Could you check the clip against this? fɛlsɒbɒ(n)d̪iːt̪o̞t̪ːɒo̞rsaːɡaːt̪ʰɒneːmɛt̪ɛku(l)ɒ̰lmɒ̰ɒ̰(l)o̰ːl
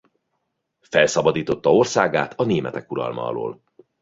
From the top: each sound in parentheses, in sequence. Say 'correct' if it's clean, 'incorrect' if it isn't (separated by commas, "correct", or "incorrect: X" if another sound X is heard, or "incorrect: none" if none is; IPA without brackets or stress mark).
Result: incorrect: none, incorrect: ɾ, correct